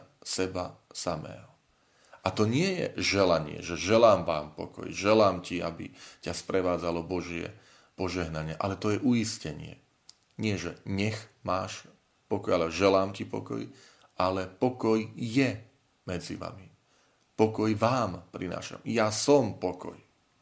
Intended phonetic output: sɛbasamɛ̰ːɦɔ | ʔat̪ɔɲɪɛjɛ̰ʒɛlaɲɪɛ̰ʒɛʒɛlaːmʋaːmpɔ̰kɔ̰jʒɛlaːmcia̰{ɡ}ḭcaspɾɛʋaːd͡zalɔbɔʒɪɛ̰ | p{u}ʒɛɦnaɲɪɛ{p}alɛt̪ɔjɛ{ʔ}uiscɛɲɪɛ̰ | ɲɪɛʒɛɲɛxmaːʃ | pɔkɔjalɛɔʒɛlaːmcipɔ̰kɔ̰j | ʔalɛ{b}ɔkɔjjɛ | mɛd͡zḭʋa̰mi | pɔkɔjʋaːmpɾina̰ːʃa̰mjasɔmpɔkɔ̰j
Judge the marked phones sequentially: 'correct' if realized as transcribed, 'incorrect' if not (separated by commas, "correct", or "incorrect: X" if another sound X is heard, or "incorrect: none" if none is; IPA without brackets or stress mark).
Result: incorrect: b, incorrect: ɔ, incorrect: ʔ, correct, incorrect: p